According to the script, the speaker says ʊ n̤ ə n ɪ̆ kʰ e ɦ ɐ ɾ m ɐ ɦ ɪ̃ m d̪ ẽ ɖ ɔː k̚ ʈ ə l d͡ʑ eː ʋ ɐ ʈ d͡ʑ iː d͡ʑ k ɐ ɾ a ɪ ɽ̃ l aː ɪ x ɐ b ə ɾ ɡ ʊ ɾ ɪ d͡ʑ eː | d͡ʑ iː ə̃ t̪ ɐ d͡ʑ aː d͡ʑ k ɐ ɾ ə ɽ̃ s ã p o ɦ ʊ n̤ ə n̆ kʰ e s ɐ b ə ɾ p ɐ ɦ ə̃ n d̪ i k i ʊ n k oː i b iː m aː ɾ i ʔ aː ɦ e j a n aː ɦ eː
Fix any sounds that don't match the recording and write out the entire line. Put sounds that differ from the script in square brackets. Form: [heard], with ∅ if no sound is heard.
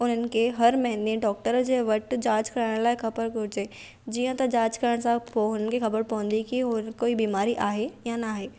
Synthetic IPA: ʊ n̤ ə n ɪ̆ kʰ e ɦ ɐ ɾ m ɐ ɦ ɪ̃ [n] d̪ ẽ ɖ ɔː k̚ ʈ ə [ɾ] d͡ʑ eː ʋ ɐ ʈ d͡ʑ [aː] d͡ʑ k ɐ ɾ a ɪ ɽ̃ l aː ɪ x ɐ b ə ɾ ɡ ʊ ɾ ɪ d͡ʑ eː | d͡ʑ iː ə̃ t̪ ɐ d͡ʑ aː d͡ʑ k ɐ ɾ ə ɽ̃ s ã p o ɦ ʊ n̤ ə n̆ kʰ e [x] ɐ b ə ɾ p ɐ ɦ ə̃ n d̪ i k i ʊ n k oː i b iː m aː ɾ i ʔ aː ɦ e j a n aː ɦ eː

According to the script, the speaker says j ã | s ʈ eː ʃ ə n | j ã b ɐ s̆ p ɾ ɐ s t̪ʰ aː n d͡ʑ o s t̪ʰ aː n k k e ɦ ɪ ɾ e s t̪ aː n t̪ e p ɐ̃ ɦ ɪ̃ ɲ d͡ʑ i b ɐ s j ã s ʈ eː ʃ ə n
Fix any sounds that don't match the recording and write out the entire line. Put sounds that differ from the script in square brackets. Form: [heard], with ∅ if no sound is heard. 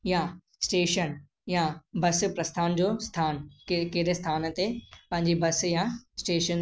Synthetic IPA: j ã | s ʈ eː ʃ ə n | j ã b ɐ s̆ p ɾ ɐ s t̪ʰ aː n d͡ʑ o s t̪ʰ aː n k k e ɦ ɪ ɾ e s [t̪ʰ] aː n t̪ e p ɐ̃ ɦ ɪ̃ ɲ d͡ʑ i b ɐ s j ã s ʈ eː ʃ ə n

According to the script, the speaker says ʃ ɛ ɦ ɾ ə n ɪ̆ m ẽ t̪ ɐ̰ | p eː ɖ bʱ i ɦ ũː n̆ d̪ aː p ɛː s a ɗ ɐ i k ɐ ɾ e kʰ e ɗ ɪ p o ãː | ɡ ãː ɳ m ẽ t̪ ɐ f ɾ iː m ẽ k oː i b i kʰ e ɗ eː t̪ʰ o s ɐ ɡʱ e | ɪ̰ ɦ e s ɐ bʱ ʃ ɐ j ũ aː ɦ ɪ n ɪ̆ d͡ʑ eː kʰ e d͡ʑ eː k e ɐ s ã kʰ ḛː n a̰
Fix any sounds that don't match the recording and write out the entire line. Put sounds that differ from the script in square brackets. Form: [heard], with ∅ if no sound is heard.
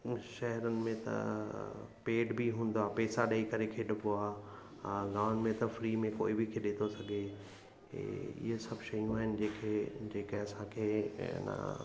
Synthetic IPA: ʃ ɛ ɦ ɾ ə n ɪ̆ m ẽ t̪ ɐ̰ | p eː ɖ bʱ i ɦ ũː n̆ d̪ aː p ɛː s a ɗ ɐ i k ɐ ɾ e kʰ e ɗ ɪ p o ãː | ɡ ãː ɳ m ẽ t̪ ɐ f ɾ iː m ẽ k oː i b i kʰ e ɗ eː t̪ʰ o s ɐ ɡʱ e | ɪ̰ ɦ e s ɐ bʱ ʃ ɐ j ũ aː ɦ ɪ n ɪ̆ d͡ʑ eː kʰ e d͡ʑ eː k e ɐ s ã kʰ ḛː n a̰

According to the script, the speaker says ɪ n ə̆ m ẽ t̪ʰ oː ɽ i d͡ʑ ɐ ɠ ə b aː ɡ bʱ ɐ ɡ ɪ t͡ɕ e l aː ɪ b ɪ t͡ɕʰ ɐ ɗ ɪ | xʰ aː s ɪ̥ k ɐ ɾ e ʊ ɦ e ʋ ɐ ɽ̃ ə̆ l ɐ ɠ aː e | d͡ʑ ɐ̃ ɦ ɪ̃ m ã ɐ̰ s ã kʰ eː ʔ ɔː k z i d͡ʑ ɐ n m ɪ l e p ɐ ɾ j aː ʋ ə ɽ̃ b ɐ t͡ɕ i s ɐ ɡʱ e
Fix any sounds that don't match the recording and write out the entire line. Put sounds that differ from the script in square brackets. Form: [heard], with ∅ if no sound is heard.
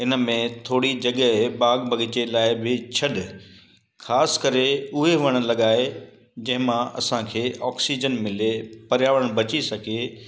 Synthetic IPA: ɪ n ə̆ m ẽ t̪ʰ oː ɽ i d͡ʑ ɐ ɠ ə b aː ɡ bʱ ɐ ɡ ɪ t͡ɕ e l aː ɪ b ɪ t͡ɕʰ ɐ ɗ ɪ | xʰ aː s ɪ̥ k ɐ ɾ e ʊ ɦ e ʋ ɐ ɽ̃ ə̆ l ɐ ɠ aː e | d͡ʑ ɐ̃ ɦ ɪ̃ m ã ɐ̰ s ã kʰ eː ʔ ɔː k [s] i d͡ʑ [ə] n m ɪ l e p ɐ ɾ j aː ʋ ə ɽ̃ b ɐ t͡ɕ i s ɐ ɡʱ e

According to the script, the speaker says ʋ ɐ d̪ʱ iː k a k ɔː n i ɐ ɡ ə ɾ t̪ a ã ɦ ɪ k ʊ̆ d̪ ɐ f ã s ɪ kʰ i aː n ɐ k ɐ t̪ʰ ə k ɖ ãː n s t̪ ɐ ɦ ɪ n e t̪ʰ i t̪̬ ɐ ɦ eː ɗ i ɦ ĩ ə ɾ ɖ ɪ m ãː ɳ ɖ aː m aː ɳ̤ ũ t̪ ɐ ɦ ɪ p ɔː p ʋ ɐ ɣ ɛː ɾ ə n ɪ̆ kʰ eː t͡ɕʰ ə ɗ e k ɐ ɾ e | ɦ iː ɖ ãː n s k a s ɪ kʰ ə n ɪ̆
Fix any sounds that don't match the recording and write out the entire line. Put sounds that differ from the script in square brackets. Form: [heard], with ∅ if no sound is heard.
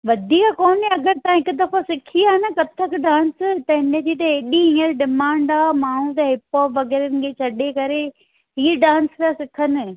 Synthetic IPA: ʋ ɐ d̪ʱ iː k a k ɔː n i ɐ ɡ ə ɾ t̪ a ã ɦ ɪ k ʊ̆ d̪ ɐ f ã s ɪ kʰ i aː n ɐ k ɐ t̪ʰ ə k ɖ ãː n s t̪ ɐ ɦ ɪ n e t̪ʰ i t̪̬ ɐ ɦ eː ɗ i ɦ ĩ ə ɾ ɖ ɪ m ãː ɳ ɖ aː m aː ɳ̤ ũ t̪ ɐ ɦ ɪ p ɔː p ʋ ɐ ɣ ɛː ɾ ə n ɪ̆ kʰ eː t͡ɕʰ [ɐ] ɗ e k ɐ ɾ e | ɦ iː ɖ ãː n s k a s ɪ kʰ ə n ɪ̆

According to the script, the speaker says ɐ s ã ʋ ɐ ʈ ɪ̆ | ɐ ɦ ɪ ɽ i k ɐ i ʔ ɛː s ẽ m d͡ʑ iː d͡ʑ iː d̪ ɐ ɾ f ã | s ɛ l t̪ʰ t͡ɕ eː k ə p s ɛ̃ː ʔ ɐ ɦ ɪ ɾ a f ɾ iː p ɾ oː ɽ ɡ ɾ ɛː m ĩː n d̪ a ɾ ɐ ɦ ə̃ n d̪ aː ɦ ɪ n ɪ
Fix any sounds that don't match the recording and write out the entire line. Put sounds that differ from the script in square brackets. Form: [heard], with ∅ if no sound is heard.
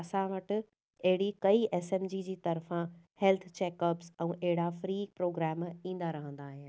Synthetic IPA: ɐ s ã ʋ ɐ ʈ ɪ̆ | ɐ ɦ ɪ ɽ i k ɐ i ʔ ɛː s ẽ m d͡ʑ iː d͡ʑ iː [t̪] ɐ ɾ f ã | [h] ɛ l t̪ʰ t͡ɕ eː k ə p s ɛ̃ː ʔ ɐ ɦ ɪ [ɽ] a f ɾ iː p ɾ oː [∅] ɡ ɾ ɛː m ĩː n d̪ a ɾ ɐ ɦ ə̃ n d̪ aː ɦ ɪ n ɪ

